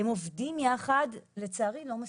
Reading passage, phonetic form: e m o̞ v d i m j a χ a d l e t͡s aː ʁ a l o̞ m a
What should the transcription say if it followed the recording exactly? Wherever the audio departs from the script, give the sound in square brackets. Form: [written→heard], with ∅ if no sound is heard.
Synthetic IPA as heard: e m o̞ v d i m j a χ a d l e t͡s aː ʁ [a→i] l o̞ m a